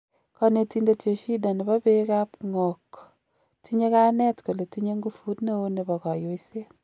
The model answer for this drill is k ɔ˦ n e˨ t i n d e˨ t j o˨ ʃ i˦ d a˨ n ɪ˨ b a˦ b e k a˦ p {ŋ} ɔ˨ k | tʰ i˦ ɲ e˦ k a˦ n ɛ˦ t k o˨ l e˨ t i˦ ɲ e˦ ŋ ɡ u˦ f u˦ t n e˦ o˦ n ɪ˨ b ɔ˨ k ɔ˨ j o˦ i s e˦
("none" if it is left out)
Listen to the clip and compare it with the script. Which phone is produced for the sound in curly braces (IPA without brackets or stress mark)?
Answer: ŋ